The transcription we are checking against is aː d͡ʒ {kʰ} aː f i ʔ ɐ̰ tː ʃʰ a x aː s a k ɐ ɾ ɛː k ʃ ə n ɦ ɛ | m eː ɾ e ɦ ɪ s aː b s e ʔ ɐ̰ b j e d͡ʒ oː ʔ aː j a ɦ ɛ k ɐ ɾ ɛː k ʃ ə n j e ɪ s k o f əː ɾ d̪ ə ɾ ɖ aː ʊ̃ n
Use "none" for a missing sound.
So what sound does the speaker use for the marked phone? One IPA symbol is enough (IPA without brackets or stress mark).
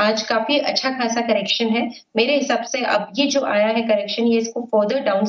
k